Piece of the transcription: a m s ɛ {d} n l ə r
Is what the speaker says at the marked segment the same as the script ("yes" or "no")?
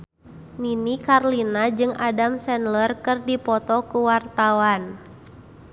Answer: no